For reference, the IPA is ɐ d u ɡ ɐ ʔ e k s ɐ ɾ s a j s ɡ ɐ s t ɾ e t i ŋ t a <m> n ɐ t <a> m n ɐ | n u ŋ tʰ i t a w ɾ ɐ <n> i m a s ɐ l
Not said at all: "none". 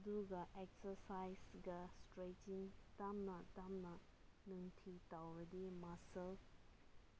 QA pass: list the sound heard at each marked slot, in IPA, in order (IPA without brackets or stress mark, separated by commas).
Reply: m, a, d